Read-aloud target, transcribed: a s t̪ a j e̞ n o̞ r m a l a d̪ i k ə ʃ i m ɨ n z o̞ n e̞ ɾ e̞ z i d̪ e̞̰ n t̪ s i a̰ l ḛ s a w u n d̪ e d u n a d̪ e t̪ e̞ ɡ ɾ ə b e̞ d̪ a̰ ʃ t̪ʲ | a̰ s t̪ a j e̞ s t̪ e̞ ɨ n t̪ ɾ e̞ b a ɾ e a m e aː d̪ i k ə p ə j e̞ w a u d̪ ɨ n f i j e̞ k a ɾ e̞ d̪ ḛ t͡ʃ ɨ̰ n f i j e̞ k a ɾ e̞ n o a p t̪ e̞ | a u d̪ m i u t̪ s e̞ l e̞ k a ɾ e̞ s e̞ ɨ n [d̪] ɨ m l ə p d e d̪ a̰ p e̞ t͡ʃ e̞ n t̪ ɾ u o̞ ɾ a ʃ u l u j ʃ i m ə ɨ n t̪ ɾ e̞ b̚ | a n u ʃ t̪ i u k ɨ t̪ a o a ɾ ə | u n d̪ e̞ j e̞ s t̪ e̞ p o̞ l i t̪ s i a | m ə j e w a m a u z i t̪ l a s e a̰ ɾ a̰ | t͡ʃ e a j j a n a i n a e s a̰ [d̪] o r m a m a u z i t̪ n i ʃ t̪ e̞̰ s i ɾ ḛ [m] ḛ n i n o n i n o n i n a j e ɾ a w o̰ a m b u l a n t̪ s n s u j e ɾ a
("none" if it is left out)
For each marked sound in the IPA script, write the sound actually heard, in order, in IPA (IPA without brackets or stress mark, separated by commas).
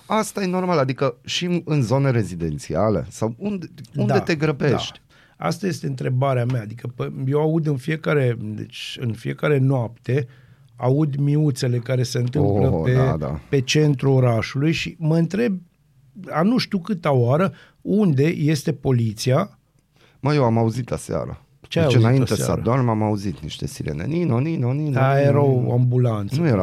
t̪, d̪, n